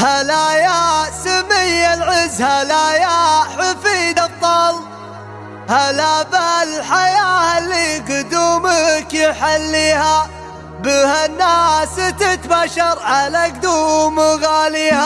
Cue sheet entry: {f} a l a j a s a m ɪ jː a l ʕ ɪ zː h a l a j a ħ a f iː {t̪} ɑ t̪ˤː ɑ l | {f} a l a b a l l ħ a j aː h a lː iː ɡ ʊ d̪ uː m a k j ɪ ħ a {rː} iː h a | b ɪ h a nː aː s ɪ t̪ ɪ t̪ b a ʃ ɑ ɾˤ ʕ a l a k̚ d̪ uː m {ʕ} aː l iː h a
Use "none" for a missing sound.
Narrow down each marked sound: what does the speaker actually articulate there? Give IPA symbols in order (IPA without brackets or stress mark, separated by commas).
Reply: h, d̪, h, lː, ɣ